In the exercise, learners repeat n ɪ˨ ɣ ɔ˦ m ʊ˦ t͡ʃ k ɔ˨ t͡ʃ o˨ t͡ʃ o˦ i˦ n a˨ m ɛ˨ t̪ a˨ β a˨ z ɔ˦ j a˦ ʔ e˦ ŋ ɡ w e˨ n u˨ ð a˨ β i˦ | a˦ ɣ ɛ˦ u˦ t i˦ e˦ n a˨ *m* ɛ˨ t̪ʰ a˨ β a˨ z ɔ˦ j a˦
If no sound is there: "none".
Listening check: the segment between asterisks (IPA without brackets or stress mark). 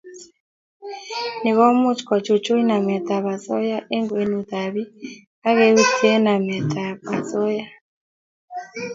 m